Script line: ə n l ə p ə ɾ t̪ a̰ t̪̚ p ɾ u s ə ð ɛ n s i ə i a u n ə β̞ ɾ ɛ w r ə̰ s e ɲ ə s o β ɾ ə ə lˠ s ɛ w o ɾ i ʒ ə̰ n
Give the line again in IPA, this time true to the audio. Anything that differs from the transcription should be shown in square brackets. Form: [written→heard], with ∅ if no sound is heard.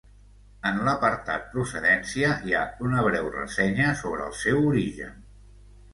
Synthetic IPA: ə n l ə p ə ɾ t̪ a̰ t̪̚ p ɾ u s ə ð ɛ n s i ə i a u n ə β̞ ɾ ɛ w r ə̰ s [e→ɛ] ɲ ə s o β ɾ ə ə lˠ s ɛ w [o→u] ɾ i ʒ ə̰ n